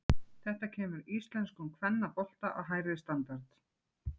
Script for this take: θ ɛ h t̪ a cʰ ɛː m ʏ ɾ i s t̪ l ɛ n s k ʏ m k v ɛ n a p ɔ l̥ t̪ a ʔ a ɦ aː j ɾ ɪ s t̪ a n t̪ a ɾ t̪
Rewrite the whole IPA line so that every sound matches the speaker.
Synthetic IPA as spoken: θ ɛ h t̪ a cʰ ɛː m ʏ ɾ i s t̪ l ɛ n s k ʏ m kʰ v ɛ nː a p ɔ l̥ t̪ a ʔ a ɦ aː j ɾ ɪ s t̪ a n t̪ a ɾ t̪